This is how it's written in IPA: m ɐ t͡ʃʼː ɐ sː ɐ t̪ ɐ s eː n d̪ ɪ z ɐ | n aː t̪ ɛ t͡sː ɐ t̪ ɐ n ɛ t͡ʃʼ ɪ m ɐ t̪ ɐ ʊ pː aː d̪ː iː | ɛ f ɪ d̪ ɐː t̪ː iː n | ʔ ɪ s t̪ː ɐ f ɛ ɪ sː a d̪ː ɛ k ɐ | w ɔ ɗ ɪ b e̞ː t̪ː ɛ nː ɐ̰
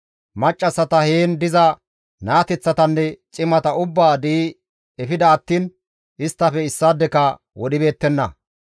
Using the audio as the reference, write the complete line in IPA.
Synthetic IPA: m ɐ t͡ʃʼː ɐ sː ɐ t̪ ɐ h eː n d̪ ɪ z ɐ | n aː t̪ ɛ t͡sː ɐ t̪ ɐ nː ɛ t͡ʃʼ ɪ m ɐ t̪ ɐ ʊ bː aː d̪ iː | ɛ f ɪ d̪ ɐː t̪ː iː n | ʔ ɪ s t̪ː ɐ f ɛ ɪ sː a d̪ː ɛ k ɐ | w ɔ ɗ ɪ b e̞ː t̪ː ɛ nː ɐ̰